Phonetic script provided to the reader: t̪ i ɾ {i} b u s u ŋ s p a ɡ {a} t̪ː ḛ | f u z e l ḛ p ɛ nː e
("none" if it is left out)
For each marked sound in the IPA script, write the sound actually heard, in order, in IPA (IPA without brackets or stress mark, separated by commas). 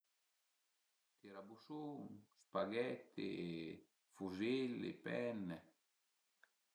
a, ɛ